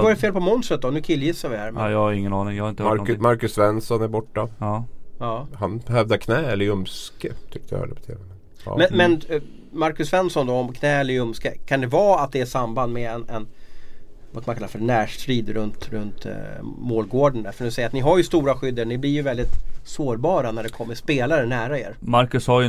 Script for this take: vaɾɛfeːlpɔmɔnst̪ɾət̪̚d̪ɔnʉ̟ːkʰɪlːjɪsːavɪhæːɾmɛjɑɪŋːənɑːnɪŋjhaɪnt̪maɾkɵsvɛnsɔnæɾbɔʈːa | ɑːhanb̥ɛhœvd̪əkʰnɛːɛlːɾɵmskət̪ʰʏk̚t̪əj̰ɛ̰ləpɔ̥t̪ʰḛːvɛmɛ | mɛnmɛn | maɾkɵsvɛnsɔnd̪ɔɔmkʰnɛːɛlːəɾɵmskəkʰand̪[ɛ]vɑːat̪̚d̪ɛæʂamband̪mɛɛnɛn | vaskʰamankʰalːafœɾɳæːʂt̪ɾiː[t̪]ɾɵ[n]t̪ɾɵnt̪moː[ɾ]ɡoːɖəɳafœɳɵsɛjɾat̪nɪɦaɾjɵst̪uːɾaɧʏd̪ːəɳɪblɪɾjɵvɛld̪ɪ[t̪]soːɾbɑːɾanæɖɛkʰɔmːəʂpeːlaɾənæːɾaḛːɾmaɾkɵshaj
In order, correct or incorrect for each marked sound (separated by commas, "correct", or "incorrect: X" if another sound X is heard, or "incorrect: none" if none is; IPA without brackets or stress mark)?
correct, incorrect: d̪, correct, incorrect: l, correct